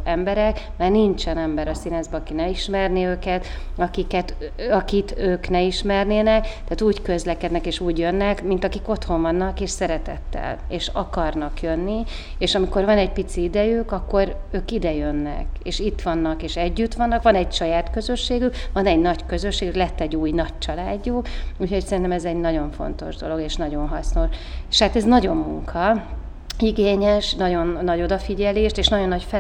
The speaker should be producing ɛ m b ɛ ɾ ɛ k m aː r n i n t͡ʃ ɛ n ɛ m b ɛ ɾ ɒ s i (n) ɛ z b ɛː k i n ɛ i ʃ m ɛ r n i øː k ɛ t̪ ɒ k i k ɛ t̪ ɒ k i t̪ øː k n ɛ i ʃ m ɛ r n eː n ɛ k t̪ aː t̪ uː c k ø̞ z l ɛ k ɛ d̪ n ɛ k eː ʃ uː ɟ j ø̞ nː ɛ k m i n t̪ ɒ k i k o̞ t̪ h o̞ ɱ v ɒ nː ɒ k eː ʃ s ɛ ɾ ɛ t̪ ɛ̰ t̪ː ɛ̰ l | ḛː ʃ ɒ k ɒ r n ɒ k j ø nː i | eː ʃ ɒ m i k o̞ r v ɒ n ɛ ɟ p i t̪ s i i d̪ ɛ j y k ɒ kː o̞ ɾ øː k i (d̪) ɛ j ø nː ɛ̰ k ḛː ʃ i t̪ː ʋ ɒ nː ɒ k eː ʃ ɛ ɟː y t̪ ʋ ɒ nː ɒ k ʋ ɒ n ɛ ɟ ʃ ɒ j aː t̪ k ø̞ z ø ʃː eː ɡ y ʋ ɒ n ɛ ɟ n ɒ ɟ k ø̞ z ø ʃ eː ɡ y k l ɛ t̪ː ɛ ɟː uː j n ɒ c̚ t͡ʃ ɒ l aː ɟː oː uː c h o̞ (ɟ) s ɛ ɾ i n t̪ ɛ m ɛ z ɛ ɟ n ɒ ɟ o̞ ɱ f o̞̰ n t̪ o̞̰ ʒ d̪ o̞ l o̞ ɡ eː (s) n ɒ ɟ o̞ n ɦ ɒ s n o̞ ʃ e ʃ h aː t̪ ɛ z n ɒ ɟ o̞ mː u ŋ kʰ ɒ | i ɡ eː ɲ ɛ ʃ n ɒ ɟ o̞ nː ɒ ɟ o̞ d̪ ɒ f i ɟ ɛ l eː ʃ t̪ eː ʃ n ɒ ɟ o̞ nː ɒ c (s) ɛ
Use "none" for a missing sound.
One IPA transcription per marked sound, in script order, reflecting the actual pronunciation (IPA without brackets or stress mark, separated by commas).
n, d̪, c, ʃ, f